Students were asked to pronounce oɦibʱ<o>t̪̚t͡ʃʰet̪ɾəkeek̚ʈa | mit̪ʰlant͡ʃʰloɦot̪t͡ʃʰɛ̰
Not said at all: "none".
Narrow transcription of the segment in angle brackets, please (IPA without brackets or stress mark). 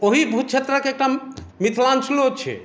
u